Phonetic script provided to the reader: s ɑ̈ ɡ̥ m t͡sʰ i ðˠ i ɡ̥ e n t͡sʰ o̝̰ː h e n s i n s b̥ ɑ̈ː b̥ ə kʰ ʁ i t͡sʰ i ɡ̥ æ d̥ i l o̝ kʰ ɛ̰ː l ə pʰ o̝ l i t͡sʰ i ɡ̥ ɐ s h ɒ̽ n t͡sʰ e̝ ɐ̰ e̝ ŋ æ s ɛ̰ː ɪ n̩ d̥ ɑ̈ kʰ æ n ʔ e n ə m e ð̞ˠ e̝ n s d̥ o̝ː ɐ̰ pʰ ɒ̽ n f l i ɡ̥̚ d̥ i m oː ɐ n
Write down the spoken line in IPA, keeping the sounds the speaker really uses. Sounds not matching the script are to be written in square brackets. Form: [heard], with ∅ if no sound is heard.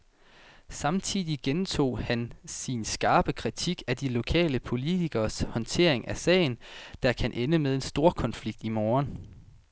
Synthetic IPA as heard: s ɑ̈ [∅] m t͡sʰ i ðˠ i ɡ̥ e n t͡sʰ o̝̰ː h [æ] n s i n s [ɡ̥] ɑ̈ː b̥ ə kʰ ʁ i t͡sʰ i ɡ̥ æ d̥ i l o̝ kʰ ɛ̰ː l ə pʰ o̝ l i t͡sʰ i ɡ̥ ɐ s h ɒ̽ n t͡sʰ e̝ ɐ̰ e̝ ŋ æ s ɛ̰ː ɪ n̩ d̥ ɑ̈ kʰ æ n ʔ e n ə m e ð̞ˠ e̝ n s d̥ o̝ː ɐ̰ [kʰ] ɒ̽ n f l i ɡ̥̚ d̥ i m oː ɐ n

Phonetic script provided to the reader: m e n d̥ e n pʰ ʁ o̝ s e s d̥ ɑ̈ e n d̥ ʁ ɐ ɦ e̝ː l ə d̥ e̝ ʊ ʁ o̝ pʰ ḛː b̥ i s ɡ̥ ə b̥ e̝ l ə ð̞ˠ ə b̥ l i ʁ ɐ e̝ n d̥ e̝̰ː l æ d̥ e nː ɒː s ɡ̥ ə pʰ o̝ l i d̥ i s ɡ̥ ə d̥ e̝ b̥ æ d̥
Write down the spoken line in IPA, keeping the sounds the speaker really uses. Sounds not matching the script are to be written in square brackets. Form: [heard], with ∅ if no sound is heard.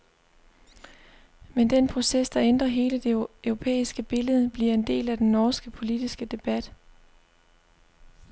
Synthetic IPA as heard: m e n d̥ e n pʰ ʁ o̝ s e s d̥ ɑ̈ e n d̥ ʁ ɐ ɦ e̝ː l ə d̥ e̝ ʊ ʁ o̝ pʰ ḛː [∅] i s ɡ̥ ə b̥ e̝ l ə ð̞ˠ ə b̥ l i [∅] ɐ e̝ n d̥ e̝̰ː l æ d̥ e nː ɒː s ɡ̥ ə pʰ o̝ l i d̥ i s ɡ̥ ə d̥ e̝ b̥ æ d̥

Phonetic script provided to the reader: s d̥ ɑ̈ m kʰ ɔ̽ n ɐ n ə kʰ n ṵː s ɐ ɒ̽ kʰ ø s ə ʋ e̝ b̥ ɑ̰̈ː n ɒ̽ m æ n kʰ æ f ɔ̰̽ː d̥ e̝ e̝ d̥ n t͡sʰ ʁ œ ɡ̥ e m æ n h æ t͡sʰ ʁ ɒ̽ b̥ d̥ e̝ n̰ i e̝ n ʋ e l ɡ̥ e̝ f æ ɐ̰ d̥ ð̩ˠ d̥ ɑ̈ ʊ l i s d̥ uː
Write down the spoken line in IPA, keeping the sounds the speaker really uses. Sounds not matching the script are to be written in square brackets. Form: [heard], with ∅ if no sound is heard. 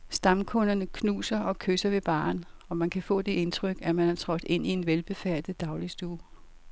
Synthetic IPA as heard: s d̥ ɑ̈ m kʰ ɔ̽ n ɐ n ə kʰ n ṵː s ɐ ɒ̽ kʰ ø s [ɐ] ʋ e̝ b̥ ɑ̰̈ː n ɒ̽ m æ n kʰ æ f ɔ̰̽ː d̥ e̝ e̝ [∅] n t͡sʰ ʁ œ ɡ̥ [æ] m æ n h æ t͡sʰ ʁ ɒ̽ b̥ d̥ e̝ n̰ i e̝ n ʋ e l [b̥] e̝ f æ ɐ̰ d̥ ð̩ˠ d̥ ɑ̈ ʊ l i s d̥ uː

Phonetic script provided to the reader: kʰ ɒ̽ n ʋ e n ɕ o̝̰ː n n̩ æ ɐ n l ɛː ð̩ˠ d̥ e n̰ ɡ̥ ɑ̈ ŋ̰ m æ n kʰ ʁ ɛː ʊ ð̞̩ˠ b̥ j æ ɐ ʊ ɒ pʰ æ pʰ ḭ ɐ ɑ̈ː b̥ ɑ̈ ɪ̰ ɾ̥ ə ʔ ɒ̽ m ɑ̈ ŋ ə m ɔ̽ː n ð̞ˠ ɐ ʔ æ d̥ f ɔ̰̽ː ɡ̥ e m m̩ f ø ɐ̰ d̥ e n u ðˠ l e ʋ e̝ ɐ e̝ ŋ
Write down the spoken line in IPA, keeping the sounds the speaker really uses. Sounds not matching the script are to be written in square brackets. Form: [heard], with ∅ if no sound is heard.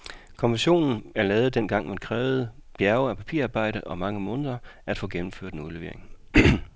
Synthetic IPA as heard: kʰ ɒ̽ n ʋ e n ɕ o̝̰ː n n̩ æ ɐ [∅] l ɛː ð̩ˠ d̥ e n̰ ɡ̥ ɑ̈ ŋ̰ m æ n kʰ ʁ ɛː ʊ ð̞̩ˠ b̥ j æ ɐ ʊ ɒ pʰ æ pʰ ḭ ɐ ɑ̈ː b̥ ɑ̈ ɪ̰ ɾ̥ ə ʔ ɒ̽ m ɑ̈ ŋ ə m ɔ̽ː n ð̞ˠ ɐ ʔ æ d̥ f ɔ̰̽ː ɡ̥ e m m̩ f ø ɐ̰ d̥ e n u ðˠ l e ʋ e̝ ɐ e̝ ŋ

